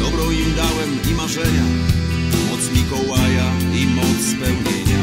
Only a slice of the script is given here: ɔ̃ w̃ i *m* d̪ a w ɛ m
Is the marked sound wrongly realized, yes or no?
no